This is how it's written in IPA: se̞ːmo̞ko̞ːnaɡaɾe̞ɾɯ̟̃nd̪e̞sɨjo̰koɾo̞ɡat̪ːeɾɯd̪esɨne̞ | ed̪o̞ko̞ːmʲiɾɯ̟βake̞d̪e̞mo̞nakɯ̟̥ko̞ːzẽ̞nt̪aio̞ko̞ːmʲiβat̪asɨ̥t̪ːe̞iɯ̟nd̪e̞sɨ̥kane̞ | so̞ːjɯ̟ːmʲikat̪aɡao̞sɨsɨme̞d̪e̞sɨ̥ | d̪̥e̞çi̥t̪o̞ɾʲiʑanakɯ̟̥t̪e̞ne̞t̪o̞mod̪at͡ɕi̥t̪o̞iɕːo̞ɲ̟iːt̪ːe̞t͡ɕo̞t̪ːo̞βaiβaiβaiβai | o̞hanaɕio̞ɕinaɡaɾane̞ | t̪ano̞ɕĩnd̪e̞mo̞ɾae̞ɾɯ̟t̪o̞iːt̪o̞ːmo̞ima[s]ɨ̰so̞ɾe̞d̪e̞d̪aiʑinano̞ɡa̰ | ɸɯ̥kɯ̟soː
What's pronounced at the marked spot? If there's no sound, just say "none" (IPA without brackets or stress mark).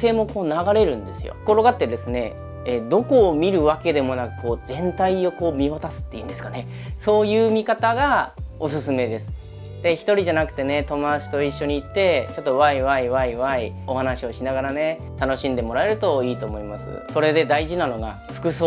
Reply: s